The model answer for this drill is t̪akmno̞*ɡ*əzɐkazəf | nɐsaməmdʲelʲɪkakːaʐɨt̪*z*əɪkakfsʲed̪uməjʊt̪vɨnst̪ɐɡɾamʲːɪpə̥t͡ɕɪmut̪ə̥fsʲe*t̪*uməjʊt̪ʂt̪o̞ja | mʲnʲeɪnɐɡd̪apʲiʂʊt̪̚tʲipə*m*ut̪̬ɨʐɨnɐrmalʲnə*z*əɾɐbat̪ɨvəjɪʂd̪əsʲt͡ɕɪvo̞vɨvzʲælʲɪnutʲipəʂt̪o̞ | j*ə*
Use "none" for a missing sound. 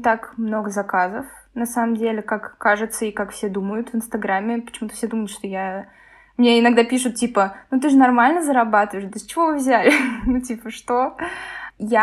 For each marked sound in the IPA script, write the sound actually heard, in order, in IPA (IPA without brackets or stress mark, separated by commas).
ɡ, s, d̪, n, z, a